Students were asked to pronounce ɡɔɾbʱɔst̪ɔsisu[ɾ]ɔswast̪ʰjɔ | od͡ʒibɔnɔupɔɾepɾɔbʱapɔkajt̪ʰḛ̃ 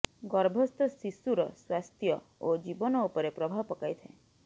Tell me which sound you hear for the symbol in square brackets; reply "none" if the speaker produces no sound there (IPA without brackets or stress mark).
ɾ